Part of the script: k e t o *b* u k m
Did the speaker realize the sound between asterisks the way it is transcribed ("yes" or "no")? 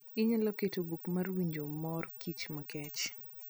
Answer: yes